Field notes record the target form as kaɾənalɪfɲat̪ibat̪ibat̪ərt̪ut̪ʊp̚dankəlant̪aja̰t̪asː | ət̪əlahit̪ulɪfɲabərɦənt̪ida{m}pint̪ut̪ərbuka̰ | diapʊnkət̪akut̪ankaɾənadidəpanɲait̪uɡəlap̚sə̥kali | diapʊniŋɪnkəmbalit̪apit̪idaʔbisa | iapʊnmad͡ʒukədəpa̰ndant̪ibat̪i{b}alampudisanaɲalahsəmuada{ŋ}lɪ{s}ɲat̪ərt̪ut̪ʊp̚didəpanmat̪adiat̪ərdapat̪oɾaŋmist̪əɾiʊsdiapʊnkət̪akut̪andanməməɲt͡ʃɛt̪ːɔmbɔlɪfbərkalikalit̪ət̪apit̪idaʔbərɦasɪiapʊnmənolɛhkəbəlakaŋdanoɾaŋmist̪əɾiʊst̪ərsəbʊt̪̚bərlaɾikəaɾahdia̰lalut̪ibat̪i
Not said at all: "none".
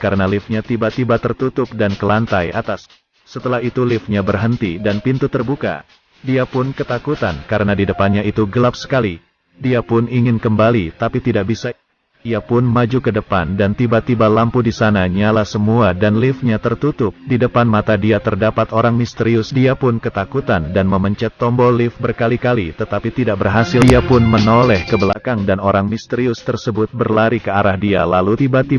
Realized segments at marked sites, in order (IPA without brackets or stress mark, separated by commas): n, b, n, f